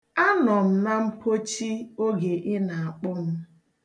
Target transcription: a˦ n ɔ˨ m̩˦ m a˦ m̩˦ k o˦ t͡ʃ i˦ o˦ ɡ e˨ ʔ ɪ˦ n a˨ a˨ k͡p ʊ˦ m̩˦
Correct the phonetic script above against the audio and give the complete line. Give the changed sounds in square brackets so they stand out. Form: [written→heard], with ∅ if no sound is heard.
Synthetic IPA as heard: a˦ n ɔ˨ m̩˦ [m→n] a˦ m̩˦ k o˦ t͡ʃ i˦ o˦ ɡ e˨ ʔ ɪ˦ n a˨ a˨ k͡p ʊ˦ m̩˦